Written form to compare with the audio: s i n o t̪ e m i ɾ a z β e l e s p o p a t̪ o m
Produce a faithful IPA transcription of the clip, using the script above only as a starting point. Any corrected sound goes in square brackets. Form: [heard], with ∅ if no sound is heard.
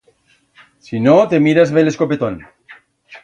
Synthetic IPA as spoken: s i n o t̪ e m i ɾ a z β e l e s [k] o p [e] t̪ o [n]